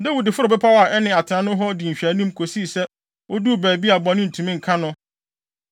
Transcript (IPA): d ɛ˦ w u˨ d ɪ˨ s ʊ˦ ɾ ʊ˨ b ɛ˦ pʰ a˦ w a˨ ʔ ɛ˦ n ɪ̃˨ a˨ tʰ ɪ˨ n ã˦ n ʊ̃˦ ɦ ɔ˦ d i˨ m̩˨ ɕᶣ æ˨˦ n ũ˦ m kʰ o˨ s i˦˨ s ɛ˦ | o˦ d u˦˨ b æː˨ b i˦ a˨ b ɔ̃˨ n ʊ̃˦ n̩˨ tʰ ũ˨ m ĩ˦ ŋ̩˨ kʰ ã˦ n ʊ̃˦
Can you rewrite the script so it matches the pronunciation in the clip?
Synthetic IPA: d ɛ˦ w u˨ d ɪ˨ f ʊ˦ ɾ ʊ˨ b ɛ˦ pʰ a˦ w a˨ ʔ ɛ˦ n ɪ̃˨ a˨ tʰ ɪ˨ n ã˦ n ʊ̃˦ ɦ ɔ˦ d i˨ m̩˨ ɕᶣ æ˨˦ n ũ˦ m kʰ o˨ s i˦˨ s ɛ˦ | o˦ d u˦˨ b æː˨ b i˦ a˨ b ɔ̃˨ n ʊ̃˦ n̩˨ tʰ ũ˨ m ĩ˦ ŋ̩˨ kʰ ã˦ n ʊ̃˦